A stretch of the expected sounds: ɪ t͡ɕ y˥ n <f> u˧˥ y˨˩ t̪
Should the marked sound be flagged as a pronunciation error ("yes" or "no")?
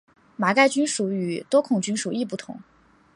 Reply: yes